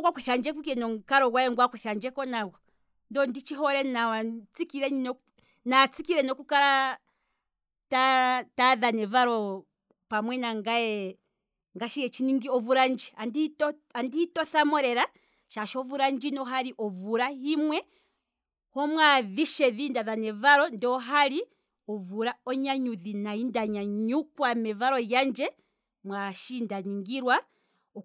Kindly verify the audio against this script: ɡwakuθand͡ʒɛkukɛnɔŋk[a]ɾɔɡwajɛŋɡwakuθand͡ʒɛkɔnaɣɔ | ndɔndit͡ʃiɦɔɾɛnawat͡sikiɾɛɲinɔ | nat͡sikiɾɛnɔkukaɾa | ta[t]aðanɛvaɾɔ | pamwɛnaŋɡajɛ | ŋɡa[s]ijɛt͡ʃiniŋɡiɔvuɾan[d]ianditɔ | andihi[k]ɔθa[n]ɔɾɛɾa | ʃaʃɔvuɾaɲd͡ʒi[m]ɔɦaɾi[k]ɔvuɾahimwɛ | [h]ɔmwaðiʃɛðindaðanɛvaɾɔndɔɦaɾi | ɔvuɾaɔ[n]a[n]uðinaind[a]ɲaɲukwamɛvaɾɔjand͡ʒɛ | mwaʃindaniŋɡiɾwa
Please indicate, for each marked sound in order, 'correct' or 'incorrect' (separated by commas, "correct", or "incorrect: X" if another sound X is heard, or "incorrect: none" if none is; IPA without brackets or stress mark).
correct, correct, incorrect: ʃ, incorrect: d͡ʒ, incorrect: t, incorrect: m, incorrect: n, incorrect: ʔ, correct, incorrect: ɲ, incorrect: ɲ, correct